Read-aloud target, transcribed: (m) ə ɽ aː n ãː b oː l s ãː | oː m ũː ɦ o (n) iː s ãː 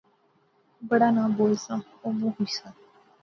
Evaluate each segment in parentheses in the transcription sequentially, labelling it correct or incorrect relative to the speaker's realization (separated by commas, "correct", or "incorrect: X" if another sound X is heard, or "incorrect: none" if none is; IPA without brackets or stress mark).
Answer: incorrect: b, incorrect: none